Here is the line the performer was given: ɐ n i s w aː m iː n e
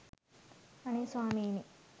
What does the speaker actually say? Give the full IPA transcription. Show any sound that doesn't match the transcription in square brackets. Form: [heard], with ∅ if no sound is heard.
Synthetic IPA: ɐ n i s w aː m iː n [i]